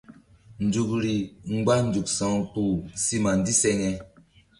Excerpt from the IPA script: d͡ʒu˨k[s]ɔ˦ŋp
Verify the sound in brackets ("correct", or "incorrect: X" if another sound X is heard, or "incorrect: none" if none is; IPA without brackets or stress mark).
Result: correct